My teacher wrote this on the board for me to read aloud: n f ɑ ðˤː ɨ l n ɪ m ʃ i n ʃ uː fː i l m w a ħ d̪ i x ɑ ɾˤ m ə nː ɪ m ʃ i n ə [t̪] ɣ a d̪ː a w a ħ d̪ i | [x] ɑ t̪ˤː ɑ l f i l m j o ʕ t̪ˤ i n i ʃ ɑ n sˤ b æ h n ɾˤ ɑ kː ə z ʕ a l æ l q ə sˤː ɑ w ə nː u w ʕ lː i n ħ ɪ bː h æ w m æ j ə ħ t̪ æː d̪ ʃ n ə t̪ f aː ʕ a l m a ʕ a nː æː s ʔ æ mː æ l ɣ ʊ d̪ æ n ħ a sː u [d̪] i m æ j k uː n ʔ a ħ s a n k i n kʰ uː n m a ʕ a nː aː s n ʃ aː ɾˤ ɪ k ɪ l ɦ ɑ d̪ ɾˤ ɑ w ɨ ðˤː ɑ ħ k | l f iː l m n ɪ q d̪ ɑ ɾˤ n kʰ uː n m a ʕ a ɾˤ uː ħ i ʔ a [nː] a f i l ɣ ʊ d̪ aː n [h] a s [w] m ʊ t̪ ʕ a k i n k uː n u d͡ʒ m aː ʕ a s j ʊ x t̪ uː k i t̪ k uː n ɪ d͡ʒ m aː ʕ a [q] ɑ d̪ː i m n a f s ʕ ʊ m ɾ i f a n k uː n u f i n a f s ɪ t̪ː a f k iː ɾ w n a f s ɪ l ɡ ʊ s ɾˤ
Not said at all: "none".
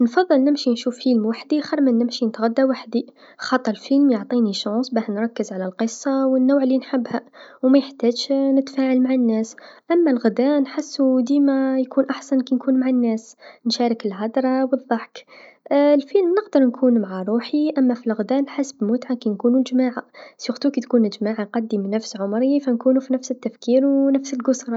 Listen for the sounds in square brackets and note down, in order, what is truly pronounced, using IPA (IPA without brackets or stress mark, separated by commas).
t̪, x, d̪, mː, ħ, b, q